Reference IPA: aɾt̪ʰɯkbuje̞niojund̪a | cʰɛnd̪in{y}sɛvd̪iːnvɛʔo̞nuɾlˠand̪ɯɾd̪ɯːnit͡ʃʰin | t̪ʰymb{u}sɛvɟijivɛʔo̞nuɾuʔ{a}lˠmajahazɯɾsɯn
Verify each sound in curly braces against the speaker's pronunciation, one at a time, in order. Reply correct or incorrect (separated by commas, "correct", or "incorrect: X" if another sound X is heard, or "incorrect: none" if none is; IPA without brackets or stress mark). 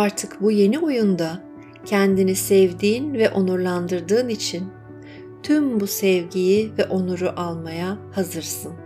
incorrect: i, correct, correct